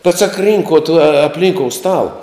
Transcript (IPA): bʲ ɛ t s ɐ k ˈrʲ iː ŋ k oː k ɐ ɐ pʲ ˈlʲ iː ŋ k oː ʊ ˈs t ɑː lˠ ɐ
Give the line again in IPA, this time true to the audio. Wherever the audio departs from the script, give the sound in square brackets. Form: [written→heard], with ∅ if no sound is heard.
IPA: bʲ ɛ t s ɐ k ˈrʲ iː ŋ k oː [k→t] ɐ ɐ pʲ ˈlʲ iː ŋ k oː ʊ ˈs t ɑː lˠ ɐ